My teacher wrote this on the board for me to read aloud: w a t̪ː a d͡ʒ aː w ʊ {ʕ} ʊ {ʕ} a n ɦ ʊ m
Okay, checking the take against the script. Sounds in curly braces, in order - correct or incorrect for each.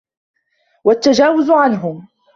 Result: incorrect: z, correct

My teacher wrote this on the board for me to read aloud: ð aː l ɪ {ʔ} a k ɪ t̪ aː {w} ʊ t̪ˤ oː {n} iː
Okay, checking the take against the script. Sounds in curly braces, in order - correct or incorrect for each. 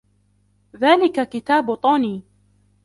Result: incorrect: k, incorrect: b, correct

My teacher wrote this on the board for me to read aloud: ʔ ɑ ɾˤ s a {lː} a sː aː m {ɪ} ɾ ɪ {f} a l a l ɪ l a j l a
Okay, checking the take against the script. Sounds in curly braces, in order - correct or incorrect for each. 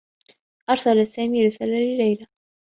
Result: incorrect: l, incorrect: i, incorrect: s

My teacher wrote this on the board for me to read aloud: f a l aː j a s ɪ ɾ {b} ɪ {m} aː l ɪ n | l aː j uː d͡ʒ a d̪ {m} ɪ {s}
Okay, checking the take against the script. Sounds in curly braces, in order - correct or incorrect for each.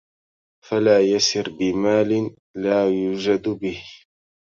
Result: correct, correct, incorrect: b, incorrect: h

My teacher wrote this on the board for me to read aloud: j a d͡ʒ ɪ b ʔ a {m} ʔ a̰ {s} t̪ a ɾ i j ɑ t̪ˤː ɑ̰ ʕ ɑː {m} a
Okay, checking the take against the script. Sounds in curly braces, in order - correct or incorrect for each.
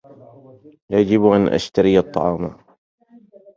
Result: incorrect: n, incorrect: ʃ, correct

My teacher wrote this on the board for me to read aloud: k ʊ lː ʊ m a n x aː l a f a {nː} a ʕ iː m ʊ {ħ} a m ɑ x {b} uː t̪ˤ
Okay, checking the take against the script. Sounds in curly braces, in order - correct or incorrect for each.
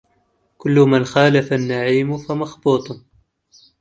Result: correct, incorrect: f, correct

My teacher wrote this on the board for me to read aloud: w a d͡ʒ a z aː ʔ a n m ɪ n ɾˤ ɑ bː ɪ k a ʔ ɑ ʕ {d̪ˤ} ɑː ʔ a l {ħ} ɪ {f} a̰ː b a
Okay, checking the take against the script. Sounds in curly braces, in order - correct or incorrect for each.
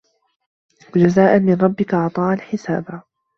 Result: incorrect: t̪ˤ, correct, incorrect: s

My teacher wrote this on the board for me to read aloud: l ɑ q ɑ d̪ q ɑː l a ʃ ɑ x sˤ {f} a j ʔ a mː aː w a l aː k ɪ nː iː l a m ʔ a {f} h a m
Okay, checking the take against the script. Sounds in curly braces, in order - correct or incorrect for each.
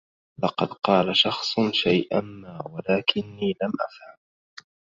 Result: incorrect: ʃ, correct

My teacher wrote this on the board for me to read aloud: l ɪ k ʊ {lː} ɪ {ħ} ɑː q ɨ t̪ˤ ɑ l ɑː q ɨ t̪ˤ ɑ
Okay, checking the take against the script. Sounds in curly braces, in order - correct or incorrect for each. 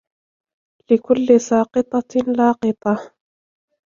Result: correct, incorrect: s

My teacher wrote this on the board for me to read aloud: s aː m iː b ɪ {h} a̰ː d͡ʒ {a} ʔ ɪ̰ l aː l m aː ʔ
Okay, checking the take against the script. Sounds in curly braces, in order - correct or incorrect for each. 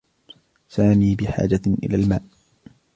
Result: incorrect: ħ, correct

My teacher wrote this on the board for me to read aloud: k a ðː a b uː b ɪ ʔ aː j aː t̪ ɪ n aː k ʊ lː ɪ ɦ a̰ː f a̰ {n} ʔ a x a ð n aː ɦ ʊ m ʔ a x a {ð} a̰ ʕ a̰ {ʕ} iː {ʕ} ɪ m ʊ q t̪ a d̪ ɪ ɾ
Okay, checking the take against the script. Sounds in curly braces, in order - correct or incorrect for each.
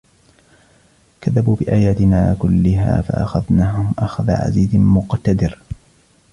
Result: incorrect: none, correct, incorrect: z, incorrect: z

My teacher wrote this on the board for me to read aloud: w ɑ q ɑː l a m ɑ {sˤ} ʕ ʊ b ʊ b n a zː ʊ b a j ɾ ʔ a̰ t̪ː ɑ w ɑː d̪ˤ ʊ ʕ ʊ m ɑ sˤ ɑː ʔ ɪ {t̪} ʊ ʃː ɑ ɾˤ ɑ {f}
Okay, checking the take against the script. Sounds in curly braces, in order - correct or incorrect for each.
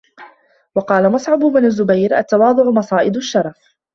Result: correct, incorrect: d̪, correct

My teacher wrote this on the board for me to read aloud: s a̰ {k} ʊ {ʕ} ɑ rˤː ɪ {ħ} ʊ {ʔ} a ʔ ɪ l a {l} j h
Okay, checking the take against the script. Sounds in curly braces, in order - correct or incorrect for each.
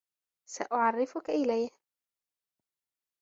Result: incorrect: ʔ, correct, incorrect: f, incorrect: k, incorrect: none

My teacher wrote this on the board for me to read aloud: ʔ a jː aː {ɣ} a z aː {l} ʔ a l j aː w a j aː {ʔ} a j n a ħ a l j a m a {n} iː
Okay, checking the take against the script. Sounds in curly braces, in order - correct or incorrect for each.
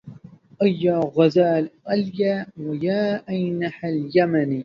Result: correct, correct, correct, correct

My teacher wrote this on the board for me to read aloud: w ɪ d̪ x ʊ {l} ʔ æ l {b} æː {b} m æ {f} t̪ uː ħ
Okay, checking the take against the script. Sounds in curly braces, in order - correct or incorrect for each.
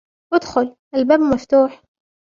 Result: correct, correct, correct, correct

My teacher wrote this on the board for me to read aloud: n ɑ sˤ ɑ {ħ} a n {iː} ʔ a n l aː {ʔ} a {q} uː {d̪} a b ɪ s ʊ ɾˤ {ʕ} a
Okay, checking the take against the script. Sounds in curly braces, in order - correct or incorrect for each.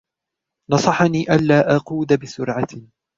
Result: correct, correct, correct, correct, correct, correct

